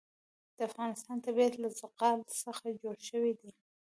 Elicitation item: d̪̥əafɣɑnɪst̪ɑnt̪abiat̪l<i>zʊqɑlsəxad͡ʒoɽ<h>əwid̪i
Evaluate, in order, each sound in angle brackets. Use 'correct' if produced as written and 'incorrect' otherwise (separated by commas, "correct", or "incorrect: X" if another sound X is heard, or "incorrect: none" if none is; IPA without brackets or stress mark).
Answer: incorrect: a, incorrect: ʃ